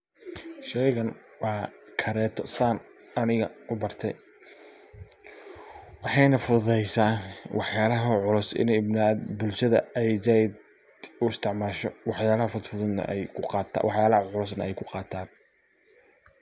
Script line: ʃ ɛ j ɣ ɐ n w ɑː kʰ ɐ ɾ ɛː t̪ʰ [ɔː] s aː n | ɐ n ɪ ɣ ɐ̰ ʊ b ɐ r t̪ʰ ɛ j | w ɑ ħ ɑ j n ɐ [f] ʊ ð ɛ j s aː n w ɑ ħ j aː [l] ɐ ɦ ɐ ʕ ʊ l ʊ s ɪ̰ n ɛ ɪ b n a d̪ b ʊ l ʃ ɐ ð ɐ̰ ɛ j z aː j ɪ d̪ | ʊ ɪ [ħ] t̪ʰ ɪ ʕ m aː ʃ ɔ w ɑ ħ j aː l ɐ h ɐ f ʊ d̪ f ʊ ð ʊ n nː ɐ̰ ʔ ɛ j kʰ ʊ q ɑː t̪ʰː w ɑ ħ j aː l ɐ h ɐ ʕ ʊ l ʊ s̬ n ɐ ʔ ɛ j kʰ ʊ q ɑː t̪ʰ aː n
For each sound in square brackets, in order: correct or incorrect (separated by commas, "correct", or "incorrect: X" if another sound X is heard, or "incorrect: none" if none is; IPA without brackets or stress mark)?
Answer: incorrect: ɔ, correct, correct, incorrect: s